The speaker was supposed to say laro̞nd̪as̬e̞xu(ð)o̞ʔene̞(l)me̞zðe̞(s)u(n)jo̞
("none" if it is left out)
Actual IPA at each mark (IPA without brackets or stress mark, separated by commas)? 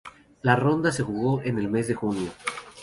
ɣ, l, x, n